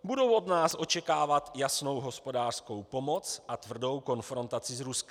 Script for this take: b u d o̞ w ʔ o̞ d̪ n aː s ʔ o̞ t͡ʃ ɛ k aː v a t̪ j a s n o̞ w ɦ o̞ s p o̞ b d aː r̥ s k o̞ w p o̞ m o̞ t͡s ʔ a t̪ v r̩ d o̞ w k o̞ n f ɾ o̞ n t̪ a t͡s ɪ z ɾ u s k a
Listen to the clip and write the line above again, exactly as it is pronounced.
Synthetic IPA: b u d o̞ w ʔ o̞ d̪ n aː s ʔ o̞ t͡ʃ ɛ k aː v a t̪ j a s n o̞ w ɦ o̞ s p o̞ d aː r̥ s k o̞ w p o̞ m o̞ t͡s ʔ a t̪ v r̩ d o̞ w k o̞ n f ɾ o̞ n t̪ a t͡s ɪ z ɾ u s k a

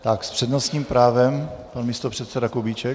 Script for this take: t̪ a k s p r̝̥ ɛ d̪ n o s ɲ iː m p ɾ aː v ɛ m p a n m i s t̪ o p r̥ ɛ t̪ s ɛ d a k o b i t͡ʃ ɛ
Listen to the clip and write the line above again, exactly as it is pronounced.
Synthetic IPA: t̪ a k s p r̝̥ ɛ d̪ n o s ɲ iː m p ɾ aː v ɛ m p a n m i s t̪ o p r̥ ɛ t̪ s ɛ d a k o b i t͡ʃ ɛ

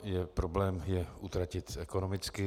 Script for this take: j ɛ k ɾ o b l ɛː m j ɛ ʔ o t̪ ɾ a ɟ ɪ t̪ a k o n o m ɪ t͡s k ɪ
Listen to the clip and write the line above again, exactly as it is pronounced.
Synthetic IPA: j ɛ p ɾ o b l ɛː m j ɛ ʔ u t̪ ɾ a c ɪ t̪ ɛ k o n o m ɪ t͡s k ɪ

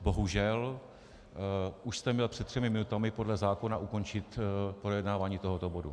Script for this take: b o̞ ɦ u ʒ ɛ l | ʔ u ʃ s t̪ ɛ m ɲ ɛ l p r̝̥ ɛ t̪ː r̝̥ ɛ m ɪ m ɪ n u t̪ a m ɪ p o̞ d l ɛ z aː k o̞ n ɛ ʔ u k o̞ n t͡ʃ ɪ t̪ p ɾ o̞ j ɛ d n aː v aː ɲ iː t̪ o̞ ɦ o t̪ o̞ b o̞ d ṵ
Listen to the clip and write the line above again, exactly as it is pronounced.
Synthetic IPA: b o̞ ɦ u ʒ ɛ l | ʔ u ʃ s t̪ ɛ m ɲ ɛ l p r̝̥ ɛ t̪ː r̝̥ ɛ m ɪ m ɪ n u t̪ a m ɪ p o̞ d l ɛ z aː k o̞ n a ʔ u k o̞ n t͡ʃ ɪ t̪ p ɾ o̞ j ɛ d n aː v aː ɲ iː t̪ o̞ ɦ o t̪ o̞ b o̞ d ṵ

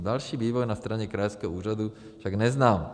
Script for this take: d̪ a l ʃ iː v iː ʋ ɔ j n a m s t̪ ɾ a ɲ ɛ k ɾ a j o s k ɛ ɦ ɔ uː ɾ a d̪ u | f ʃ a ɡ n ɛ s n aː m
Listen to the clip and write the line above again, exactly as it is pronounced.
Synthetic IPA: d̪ a l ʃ iː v iː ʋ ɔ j n a s t̪ ɾ a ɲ ɛ k ɾ a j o s k ɛ ɦ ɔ uː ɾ a d̪ u | f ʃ a ɡ n ɛ z n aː m

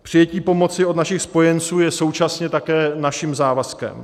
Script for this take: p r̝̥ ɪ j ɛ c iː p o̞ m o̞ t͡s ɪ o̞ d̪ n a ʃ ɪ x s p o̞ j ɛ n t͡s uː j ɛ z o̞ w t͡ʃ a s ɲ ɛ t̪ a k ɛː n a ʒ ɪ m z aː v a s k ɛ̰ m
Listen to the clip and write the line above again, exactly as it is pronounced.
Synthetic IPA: p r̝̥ ɪ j ɛ c iː p o̞ m o̞ t͡s ɪ o̞ d̪ n a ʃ ɪ x s p o̞ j ɛ n t͡s uː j ɛ s o̞ w t͡ʃ a s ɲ ɛ t̪ a k ɛː n a ʃ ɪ m z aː v a s k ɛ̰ m

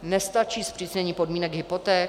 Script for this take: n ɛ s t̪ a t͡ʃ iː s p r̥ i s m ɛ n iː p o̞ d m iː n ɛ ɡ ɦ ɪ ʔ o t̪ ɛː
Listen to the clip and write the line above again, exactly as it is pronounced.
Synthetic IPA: n ɛ s t̪ a t͡ʃ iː s p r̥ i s ɲ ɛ ɲ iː p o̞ d m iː n ɛ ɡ ɦ ɪ p o t̪ ɛː

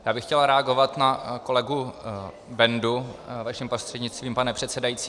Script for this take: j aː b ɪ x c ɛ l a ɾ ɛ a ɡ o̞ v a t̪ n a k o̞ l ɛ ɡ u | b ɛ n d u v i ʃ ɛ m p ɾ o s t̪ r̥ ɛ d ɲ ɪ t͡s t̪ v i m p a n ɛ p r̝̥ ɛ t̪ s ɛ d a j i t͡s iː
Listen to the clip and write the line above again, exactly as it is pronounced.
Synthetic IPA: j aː b ɪ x c ɛ l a ɾ ɛ a ɡ o̞ v a t̪ n a k o̞ l ɛ ɡ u | b ɛ n d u v a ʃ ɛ m p ɾ o s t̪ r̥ ɛ d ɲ ɪ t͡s t̪ v iː m p a n ɛ p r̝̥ ɛ t̪ s ɛ d a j i t͡s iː

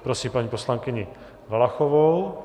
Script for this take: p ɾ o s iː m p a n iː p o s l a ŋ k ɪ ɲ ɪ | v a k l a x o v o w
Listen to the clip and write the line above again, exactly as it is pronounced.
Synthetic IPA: p ɾ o s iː m p a ɲ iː p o s l a ŋ k ɪ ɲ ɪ | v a l a x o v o w

